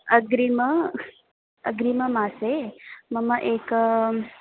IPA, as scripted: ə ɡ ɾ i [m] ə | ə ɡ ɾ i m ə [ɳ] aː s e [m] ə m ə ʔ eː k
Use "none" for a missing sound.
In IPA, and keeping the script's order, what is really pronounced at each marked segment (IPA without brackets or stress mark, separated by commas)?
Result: m, m, m